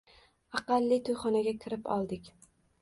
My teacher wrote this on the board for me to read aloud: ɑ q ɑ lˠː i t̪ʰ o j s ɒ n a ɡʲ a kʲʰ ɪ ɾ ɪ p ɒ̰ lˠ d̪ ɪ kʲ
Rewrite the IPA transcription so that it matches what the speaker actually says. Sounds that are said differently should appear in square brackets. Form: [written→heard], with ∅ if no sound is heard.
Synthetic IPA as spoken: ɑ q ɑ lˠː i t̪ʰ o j [s→χ] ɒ n a ɡʲ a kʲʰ ɪ ɾ ɪ p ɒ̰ lˠ d̪ ɪ kʲ

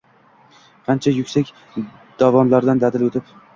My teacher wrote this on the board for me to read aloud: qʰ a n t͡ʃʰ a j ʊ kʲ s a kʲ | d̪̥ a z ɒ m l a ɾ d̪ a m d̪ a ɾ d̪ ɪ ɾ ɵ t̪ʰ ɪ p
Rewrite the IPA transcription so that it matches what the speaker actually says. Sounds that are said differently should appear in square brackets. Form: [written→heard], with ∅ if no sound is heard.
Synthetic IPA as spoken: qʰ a n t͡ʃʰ a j ʊ kʲ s a kʲ | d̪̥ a [z→v] ɒ [m→n] l a ɾ d̪ a [m→n] d̪ a [ɾ→∅] d̪ ɪ [ɾ→l] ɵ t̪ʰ ɪ p

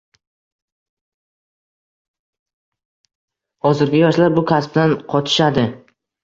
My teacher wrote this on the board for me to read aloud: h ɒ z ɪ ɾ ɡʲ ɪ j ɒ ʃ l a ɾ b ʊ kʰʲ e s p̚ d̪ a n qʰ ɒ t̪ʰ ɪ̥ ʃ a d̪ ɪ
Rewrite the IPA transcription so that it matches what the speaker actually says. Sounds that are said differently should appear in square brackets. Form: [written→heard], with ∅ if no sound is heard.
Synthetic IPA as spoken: h ɒ z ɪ ɾ ɡʲ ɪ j ɒ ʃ l a ɾ b ʊ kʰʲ [e→a] s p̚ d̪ a n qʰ ɒ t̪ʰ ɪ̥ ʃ a d̪ ɪ

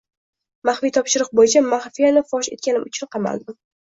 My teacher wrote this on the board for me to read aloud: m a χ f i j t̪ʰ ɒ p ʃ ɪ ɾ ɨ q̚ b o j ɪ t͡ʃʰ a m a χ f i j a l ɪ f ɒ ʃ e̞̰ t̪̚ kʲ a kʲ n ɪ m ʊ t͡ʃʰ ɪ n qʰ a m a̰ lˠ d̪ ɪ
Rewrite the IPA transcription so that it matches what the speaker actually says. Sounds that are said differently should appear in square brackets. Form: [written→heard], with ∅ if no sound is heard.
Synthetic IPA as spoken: m a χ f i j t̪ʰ ɒ p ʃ ɪ ɾ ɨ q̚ b o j ɪ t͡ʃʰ a m a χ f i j a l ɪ f ɒ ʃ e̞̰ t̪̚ kʲ a [kʲ→∅] n ɪ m ʊ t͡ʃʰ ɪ n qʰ [a→ɑ] m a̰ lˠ d̪ ɪ

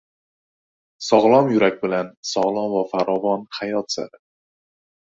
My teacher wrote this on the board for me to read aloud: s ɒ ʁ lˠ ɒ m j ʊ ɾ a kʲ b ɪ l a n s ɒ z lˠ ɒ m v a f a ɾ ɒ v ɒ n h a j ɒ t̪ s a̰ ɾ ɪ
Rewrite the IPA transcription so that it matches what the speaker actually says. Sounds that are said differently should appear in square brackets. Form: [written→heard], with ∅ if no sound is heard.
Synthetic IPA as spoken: s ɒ ʁ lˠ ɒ m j ʊ ɾ a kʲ b ɪ l a n s ɒ [z→ʁ] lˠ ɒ m v a f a ɾ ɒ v ɒ n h a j ɒ t̪ s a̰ ɾ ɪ

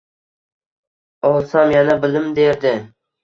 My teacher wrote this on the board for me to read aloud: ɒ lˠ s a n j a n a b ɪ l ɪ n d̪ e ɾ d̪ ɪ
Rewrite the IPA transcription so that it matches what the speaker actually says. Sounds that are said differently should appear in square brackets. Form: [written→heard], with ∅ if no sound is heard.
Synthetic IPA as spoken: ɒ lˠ s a [n→m] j a n a b ɪ l ɪ [n→m] d̪ e ɾ d̪ ɪ

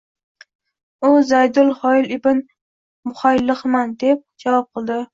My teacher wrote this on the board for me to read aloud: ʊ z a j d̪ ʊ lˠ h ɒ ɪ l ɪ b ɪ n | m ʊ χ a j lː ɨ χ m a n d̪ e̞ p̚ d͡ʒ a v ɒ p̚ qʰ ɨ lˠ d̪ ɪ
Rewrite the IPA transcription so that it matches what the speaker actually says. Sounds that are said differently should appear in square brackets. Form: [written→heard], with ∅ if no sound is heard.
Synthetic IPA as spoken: ʊ z a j d̪ ʊ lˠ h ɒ ɪ l ɪ b ɪ n | m ʊ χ a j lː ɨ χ m a n d̪ e̞ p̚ d͡ʒ a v ɒ p̚ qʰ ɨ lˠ d̪ ɪ

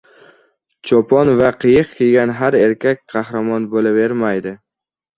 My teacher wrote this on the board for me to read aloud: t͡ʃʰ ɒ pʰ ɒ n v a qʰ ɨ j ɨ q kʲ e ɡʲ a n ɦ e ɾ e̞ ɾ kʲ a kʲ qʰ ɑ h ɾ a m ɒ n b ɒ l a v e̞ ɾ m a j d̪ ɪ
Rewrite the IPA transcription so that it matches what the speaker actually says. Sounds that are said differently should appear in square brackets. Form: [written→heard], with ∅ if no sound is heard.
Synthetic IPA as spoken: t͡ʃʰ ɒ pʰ ɒ n v a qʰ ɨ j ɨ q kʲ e ɡʲ a n ɦ [e→a] ɾ e̞ ɾ kʲ a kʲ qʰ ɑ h ɾ a m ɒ n b [ɒ→o] l a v e̞ ɾ m a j d̪ ɪ

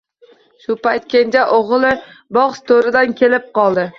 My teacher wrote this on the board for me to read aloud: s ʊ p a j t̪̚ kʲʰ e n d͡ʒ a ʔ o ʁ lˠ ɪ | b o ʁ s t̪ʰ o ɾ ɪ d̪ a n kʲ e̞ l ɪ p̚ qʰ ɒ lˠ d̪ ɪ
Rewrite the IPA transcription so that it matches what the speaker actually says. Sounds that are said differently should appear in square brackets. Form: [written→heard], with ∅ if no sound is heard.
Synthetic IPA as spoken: [s→ʃ] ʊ p a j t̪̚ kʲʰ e n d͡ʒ a ʔ o ʁ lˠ ɪ | b [o→ɒ] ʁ s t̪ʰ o ɾ ɪ d̪ a n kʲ e̞ l ɪ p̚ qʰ ɒ lˠ d̪ ɪ

